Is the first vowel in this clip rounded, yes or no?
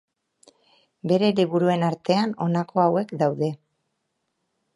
no